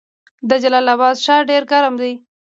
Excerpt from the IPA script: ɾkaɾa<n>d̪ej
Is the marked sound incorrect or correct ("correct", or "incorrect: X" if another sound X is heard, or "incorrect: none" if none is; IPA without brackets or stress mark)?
incorrect: m